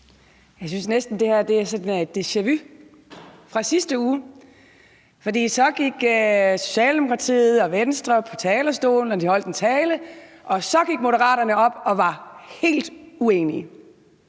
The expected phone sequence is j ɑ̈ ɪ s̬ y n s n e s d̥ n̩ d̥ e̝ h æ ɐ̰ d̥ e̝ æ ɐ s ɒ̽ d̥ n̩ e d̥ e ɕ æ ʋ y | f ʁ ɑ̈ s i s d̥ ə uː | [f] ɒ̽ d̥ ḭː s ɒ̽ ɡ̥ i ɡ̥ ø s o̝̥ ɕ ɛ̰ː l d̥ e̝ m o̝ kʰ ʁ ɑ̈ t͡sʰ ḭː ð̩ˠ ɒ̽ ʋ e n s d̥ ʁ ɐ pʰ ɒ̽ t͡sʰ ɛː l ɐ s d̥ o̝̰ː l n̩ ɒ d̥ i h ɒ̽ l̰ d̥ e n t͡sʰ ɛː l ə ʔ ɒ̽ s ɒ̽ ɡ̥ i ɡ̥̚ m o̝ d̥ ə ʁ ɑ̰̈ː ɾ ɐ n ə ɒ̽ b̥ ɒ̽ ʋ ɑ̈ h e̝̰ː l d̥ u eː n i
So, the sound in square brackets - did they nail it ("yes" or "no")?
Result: yes